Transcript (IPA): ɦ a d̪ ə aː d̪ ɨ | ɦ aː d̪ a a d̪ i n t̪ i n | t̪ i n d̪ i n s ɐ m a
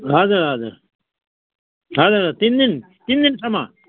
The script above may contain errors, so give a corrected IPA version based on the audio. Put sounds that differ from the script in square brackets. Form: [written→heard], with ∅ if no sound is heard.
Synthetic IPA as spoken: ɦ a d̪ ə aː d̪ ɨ | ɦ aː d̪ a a [d̪→t̪] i n [t̪→d̪] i n | t̪ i n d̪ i n s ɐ m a